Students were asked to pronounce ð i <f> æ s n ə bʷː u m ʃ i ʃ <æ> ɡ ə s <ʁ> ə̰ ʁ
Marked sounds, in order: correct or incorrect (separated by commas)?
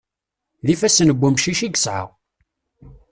correct, incorrect, incorrect